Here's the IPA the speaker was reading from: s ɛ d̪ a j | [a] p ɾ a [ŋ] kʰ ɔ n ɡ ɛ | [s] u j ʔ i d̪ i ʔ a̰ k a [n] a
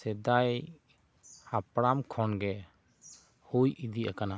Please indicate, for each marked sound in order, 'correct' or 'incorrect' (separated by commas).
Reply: correct, incorrect, incorrect, correct